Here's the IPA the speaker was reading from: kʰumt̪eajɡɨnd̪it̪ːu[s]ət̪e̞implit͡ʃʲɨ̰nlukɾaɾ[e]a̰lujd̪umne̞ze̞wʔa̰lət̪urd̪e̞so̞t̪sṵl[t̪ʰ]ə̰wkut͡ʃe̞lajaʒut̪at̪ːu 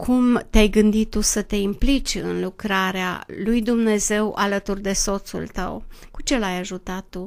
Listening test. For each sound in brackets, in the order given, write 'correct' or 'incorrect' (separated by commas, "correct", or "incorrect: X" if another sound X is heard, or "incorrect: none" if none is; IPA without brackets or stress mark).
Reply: correct, correct, incorrect: t̪